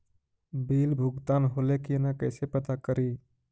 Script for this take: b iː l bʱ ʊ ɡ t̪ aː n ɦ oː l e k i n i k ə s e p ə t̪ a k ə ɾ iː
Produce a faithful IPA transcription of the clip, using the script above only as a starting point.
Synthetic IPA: b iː l bʱ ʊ ɡ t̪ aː n ɦ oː l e k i n a k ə s e p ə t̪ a k ə ɾ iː